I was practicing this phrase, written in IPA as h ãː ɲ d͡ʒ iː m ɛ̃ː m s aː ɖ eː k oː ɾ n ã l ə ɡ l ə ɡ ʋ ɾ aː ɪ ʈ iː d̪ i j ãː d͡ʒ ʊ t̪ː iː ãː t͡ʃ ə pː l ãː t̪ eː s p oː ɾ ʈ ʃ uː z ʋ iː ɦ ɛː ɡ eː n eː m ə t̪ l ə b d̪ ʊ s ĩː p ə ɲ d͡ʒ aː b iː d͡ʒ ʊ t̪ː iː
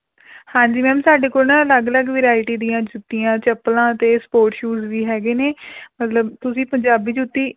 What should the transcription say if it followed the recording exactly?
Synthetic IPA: h ãː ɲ d͡ʒ iː m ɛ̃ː m s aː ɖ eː k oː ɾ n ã l ə ɡ l ə ɡ ʋ ɾ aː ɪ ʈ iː d̪ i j ãː d͡ʒ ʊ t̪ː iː ãː t͡ʃ ə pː l ãː t̪ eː s p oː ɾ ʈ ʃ uː z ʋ iː ɦ ɛː ɡ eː n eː m ə t̪ l ə b t̪ ʊ s ĩː p ə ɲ d͡ʒ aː b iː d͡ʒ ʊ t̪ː iː

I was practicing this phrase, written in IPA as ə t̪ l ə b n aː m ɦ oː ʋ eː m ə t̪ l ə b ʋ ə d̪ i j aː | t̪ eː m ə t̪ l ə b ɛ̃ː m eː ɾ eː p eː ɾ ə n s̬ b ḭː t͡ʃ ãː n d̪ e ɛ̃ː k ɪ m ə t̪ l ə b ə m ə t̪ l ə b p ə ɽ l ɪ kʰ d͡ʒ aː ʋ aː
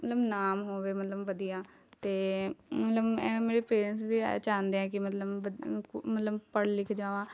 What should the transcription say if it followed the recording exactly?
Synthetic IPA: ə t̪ l ə b n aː m ɦ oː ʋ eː m ə t̪ l ə b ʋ ə d̪ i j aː | t̪ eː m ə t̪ l ə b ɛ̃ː m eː ɾ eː p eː ɾ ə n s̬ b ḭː t͡ʃ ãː n d̪ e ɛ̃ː k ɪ m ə t̪ l ə b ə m ə t̪ l ə b p ə ɽ l ɪ kʰ d͡ʒ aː ʋ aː

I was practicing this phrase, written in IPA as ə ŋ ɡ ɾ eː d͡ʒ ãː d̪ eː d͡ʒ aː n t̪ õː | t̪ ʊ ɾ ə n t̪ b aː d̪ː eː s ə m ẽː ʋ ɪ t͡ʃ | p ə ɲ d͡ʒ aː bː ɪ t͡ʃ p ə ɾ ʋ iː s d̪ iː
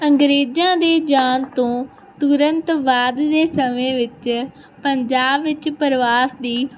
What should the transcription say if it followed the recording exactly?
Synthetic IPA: ə ŋ ɡ ɾ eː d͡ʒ ãː d̪ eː d͡ʒ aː n t̪ õː | t̪ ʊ ɾ ə n t̪ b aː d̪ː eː s ə m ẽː ʋ ɪ t͡ʃ | p ə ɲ d͡ʒ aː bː ɪ t͡ʃ p ə ɾ ʋ aː s d̪ iː

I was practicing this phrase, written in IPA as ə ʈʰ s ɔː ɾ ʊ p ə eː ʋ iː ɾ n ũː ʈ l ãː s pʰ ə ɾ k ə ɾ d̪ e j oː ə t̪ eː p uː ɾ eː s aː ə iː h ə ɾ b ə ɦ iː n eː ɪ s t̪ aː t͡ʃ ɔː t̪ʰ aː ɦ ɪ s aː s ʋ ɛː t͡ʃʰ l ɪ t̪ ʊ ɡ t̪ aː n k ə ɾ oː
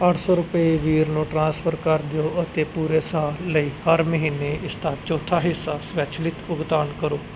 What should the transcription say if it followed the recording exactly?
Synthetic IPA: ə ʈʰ s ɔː ɾ ʊ p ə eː ʋ iː ɾ n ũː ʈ ɾ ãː s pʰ ə ɾ k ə ɾ d̪ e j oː ə t̪ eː p uː ɾ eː s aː ə iː h ə ɾ m ə ɦ iː n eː ɪ s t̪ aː t͡ʃ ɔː t̪ʰ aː ɦ ɪ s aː s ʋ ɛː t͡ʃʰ l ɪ t̪ ʊ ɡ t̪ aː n k ə ɾ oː

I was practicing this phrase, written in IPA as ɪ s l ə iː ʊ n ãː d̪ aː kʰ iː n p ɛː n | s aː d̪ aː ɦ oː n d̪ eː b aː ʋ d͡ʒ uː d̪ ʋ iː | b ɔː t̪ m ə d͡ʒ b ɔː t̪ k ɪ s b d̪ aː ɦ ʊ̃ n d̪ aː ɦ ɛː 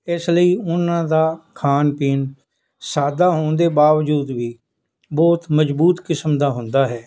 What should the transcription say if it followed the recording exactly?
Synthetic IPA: ɪ s l ə iː ʊ n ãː d̪ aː kʰ aː n p iː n | s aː d̪ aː ɦ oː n d̪ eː b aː ʋ d͡ʒ uː d̪ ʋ iː | b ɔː t̪ m ə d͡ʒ b uː t̪ k ɪ s m d̪ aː ɦ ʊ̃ n d̪ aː ɦ ɛː

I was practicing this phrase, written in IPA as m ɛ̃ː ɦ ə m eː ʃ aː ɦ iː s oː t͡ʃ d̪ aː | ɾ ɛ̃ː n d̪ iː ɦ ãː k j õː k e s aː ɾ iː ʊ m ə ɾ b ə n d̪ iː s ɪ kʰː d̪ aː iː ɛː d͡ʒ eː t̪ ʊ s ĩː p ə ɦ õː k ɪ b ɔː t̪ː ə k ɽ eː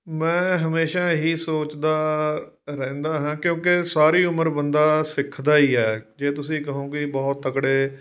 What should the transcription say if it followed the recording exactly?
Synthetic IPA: m ɛ̃ː ɦ ə m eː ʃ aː ɦ iː s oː t͡ʃ d̪ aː | ɾ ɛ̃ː n d̪ aː ɦ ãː k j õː k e s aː ɾ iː ʊ m ə ɾ b ə n d̪ aː s ɪ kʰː d̪ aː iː ɛː d͡ʒ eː t̪ ʊ s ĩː k ə ɦ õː k ɪ b ɔː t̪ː ə k ɽ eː

